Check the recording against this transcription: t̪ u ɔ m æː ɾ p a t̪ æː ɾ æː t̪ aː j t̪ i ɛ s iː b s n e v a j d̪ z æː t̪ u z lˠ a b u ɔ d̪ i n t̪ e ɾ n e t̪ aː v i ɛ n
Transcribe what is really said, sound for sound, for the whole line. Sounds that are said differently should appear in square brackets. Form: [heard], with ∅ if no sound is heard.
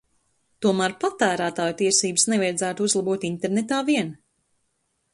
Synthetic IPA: t̪ u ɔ m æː ɾ p a t̪ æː ɾ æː t̪ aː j t̪ i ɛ s iː b s n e v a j d̪ z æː t̪ u z lˠ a b u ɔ [t̪] i n t̪ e ɾ n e t̪ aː v i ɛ n